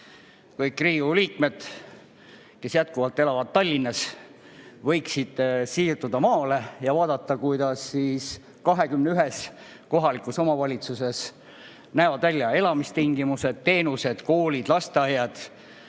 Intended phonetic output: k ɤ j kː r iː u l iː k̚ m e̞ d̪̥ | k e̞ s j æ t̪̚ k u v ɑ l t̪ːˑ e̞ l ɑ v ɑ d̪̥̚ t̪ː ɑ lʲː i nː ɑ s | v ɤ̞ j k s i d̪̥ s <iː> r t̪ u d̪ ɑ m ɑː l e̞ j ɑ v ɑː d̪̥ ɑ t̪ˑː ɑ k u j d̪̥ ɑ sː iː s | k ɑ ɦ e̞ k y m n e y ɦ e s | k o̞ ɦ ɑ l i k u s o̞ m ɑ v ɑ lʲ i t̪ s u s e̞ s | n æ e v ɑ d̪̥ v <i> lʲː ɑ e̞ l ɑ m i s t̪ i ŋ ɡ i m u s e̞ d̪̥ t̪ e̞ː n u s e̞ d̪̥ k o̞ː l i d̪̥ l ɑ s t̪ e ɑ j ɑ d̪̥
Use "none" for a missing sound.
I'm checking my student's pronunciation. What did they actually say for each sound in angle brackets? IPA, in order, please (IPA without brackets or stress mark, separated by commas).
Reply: iː, æ